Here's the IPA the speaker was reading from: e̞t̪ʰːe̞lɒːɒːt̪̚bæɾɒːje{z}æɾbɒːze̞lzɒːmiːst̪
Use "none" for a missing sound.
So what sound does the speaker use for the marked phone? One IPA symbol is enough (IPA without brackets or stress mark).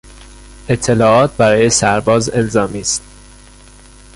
s